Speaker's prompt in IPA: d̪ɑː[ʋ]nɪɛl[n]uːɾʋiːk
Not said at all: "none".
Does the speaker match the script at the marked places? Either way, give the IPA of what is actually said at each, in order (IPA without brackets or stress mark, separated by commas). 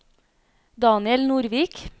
none, n